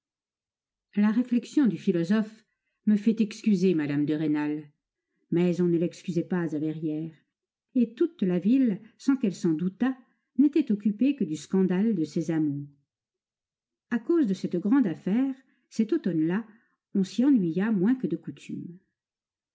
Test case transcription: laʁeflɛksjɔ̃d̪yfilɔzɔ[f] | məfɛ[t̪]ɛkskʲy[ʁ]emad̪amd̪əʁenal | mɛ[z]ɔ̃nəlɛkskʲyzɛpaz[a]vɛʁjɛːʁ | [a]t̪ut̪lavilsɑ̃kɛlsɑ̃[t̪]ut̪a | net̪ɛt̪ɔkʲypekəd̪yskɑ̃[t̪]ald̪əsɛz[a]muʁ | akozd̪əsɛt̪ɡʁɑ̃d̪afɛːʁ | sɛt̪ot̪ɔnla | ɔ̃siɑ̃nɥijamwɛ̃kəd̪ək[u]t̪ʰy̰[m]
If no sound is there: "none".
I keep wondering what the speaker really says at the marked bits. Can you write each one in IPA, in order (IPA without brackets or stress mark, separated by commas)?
f, t̪, z, z, a, e, d̪, d̪, a, u, m